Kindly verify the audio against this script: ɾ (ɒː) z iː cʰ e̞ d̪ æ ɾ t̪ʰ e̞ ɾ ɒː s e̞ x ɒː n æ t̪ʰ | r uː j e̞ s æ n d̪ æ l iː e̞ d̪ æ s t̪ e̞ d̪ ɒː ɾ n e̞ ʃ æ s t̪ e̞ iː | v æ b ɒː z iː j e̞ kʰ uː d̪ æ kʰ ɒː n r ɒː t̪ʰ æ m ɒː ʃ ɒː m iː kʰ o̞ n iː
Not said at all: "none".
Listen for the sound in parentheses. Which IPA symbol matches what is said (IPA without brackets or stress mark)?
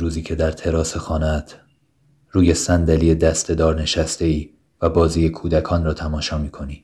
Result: uː